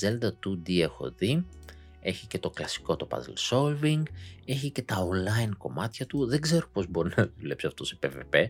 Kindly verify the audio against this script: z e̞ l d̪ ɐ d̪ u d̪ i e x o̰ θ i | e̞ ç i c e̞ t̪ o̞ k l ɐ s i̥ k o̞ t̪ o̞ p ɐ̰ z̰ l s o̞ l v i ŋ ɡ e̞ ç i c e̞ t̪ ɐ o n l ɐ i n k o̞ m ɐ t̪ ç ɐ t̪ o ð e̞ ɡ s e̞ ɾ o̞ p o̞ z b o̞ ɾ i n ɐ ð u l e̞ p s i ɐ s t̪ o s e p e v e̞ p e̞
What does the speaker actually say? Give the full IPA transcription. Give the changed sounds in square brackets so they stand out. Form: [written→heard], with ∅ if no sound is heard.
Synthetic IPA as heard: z e̞ l d̪ ɐ [d̪→t̪] u d̪ i e x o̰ [θ→ð] i | e̞ ç i c e̞ t̪ o̞ k l ɐ s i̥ k o̞ t̪ o̞ p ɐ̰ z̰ l s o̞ l v i ŋ ɡ e̞ ç i c e̞ t̪ ɐ o n l ɐ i n k o̞ m ɐ t̪ ç ɐ t̪ [o→u] ð e̞ ɡ [s→z] e̞ ɾ o̞ p o̞ z b o̞ ɾ i n ɐ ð u l e̞ p s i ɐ [s→f] t̪ o s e p e v e̞ p e̞